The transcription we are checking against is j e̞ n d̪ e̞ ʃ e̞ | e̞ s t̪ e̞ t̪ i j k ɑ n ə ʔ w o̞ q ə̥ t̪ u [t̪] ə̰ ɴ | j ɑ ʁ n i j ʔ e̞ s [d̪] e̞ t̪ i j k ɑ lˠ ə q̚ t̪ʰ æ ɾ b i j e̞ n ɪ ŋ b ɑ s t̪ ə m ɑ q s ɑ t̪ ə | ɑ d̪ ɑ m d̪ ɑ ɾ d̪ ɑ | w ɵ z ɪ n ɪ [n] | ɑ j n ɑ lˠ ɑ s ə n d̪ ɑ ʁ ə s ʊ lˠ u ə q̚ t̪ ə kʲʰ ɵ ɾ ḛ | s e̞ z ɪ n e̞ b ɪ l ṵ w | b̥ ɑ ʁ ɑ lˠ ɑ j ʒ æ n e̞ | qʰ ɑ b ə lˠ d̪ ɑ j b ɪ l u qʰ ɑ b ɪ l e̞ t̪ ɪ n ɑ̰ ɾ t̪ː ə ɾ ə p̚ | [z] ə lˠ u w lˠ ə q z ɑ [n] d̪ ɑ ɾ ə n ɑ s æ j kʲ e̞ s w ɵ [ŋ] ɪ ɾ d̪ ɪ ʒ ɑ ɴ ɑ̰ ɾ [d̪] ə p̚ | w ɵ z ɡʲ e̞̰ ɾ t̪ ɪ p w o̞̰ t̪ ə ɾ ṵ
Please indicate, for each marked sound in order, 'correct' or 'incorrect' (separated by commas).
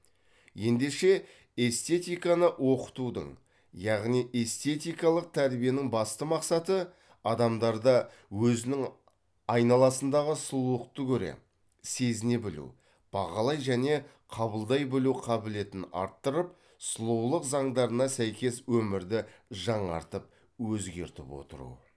incorrect, incorrect, incorrect, incorrect, incorrect, incorrect, incorrect